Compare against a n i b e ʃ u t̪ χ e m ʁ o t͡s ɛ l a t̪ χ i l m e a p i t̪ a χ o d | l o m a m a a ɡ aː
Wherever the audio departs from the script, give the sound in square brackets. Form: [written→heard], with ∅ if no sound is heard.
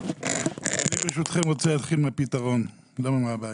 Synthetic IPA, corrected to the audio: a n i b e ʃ u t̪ χ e m ʁ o t͡s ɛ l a t̪ χ i l m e a p i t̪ a [χ→ʁ] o [d→n] | l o m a m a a [ɡ→b] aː